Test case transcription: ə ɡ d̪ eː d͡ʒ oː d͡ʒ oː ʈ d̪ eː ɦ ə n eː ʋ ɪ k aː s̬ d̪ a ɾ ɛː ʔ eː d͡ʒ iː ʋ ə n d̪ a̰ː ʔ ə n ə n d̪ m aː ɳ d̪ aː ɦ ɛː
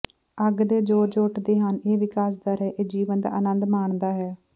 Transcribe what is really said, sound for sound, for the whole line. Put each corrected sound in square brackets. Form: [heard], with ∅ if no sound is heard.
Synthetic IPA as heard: ə ɡ d̪ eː d͡ʒ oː d͡ʒ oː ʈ d̪ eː ɦ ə n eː ʋ ɪ k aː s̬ d̪ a ɾ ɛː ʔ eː d͡ʒ iː ʋ ə n d̪ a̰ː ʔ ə n ə n d̪ m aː ɳ d̪ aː ɦ ɛː